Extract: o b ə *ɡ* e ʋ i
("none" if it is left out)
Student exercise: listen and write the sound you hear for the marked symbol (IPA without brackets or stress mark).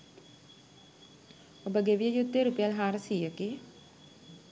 ɡ